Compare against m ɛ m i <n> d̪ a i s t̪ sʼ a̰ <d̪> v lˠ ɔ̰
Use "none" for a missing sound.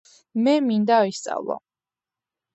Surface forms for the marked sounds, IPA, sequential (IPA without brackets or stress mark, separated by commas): n, none